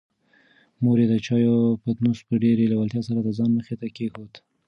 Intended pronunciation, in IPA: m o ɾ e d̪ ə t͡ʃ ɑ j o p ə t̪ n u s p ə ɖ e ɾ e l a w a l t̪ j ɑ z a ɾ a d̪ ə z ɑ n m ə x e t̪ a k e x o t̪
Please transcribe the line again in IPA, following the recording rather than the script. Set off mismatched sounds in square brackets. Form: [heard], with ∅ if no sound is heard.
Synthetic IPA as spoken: m o ɾ e d̪ ə t͡ʃ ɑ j o p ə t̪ n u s p ə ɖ e ɾ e l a w a l t̪ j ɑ [s] a ɾ a d̪ ə z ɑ n m ə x e t̪ a k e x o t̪